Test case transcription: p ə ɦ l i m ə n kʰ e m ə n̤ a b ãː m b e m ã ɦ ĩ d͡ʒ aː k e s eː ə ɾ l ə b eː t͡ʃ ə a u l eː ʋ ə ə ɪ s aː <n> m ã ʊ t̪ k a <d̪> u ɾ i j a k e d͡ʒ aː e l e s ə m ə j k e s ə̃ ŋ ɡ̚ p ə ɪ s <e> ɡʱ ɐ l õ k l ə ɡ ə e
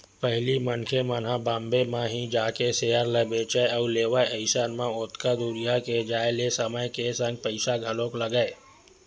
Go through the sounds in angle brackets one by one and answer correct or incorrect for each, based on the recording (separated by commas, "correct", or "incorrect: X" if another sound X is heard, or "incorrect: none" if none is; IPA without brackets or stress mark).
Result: correct, correct, incorrect: a